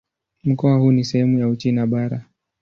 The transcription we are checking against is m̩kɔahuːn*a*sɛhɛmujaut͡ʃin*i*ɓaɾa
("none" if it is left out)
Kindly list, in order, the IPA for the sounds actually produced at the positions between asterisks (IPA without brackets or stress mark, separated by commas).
i, a